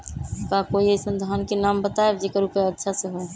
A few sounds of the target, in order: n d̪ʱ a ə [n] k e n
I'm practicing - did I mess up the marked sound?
no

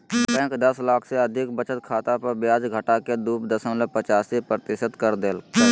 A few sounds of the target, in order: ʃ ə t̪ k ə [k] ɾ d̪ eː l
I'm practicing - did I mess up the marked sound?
yes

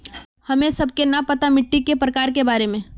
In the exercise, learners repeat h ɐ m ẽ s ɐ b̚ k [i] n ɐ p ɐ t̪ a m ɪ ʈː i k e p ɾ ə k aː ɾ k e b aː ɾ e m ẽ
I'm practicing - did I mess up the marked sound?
yes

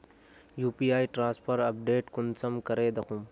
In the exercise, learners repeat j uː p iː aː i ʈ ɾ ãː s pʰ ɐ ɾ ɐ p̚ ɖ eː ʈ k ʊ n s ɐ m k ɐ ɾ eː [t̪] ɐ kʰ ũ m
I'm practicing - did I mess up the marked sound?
yes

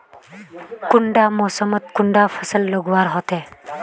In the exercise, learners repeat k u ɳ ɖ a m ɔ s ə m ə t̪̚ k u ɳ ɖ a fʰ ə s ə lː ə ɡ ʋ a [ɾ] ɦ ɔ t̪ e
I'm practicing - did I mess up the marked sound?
no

